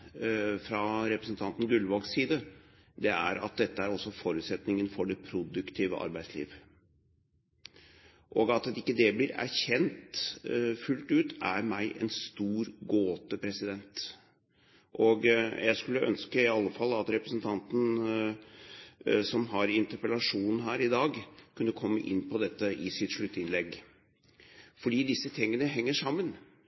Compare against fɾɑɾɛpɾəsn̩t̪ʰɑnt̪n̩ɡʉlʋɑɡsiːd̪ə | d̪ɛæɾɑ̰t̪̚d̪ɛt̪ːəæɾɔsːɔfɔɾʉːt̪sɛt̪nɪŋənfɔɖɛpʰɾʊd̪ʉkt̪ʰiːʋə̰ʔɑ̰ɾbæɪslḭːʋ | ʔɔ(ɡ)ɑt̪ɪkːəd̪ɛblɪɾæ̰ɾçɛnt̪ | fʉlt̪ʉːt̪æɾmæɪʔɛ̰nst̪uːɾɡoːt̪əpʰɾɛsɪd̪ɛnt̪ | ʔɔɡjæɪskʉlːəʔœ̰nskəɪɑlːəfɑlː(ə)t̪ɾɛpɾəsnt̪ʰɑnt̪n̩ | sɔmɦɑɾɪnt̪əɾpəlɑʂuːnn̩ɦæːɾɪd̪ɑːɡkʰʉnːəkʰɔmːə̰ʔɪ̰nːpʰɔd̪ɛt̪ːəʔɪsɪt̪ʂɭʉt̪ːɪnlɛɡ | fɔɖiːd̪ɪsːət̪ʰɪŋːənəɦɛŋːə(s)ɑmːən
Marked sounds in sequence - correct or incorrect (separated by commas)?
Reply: correct, incorrect, incorrect